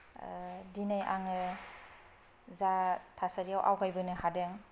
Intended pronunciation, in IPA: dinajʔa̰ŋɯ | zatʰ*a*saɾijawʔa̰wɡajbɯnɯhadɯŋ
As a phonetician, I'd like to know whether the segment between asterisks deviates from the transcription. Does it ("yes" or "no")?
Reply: no